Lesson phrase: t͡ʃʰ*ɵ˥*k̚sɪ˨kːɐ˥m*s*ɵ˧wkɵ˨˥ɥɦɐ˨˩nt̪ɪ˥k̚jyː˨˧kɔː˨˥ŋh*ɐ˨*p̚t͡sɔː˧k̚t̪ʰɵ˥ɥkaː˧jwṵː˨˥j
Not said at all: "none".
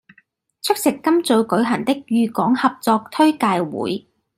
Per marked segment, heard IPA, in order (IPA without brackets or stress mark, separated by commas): ɵ˥, t͡s, ɐ˨